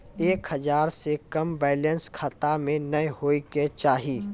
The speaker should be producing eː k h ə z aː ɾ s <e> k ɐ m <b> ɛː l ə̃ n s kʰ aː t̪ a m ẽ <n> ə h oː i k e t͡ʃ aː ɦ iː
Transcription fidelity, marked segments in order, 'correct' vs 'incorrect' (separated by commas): correct, correct, correct